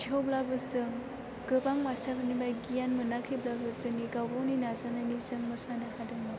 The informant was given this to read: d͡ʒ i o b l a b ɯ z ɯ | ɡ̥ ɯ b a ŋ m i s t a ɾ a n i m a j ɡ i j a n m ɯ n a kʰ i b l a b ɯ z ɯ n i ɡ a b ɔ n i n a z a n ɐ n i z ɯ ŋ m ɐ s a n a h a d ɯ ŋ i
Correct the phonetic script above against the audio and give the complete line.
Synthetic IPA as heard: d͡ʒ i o b l a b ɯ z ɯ | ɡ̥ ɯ b a ŋ m a s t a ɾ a n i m a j ɡ i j a n m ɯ n a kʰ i b l a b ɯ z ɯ n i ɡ a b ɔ n i n a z a n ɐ n i z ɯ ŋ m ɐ s a n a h a d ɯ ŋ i